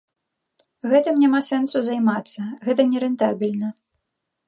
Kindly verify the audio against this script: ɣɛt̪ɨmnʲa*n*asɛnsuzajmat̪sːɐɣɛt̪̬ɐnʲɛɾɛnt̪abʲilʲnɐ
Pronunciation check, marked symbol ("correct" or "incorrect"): incorrect